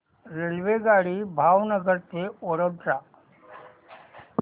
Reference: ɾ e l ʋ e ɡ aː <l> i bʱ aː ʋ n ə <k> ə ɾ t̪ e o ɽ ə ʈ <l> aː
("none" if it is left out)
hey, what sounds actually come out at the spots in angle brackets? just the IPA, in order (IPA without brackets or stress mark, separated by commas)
ɽ, ɡ, ɾ